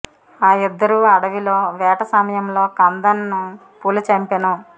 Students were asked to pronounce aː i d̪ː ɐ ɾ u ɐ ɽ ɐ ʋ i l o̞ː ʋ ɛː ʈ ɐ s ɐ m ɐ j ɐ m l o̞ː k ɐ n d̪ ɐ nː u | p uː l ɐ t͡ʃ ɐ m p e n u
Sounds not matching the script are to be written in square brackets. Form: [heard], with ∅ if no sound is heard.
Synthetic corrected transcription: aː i d̪ː ɐ ɾ u ɐ ɽ ɐ ʋ i l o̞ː ʋ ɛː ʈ ɐ s ɐ m ɐ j ɐ m l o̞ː k ɐ n d̪ ɐ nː u | p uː l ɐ t͡ʃ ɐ m p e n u